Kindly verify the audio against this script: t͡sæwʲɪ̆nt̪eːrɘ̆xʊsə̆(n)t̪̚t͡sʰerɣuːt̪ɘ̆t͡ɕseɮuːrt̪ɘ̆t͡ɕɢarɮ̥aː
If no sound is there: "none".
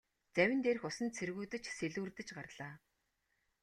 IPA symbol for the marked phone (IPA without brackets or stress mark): n